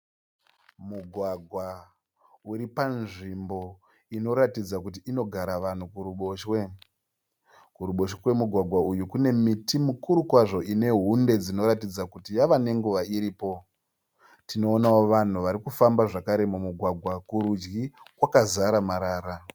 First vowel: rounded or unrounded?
rounded